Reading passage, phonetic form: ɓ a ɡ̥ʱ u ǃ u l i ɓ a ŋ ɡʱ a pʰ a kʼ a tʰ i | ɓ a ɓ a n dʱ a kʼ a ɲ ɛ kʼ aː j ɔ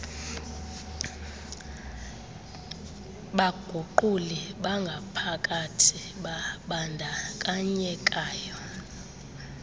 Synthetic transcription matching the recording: ɓ a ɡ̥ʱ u ǃ u l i ɓ a ŋ ɡʱ a pʰ a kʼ a tʰ i | ɓ a ɓ a n dʱ a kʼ a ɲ ɛ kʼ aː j ɔ